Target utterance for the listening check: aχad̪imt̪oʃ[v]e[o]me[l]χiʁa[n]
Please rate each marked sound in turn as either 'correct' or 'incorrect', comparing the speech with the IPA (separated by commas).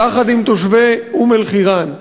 correct, incorrect, correct, correct